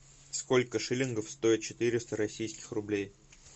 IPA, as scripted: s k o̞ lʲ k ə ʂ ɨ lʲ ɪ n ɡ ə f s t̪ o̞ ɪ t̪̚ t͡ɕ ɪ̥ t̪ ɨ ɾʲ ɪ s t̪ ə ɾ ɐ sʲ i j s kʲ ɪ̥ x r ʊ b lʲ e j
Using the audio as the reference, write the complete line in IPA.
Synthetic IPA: s k o̞ lʲ k ə ʂ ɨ lʲ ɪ n ɡ ə f s t̪ o̞ ɪ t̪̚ t͡ɕ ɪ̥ t̪ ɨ ɾʲ ɪ s t̪ ə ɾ ɐ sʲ i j s kʲ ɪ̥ x r ʊ b lʲ e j